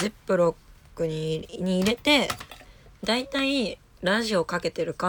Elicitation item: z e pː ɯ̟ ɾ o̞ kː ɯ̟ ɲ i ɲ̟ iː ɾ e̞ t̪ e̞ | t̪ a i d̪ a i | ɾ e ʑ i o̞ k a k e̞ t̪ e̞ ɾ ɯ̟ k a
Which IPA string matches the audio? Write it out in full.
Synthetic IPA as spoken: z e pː ɯ̟ ɾ o̞ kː ɯ̟ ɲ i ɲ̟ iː ɾ e̞ t̪ e̞ | d̪ a i t̪ a i | ɾ a ʑ i o̞ k a k e̞ t̪ e̞ ɾ ɯ̟ k a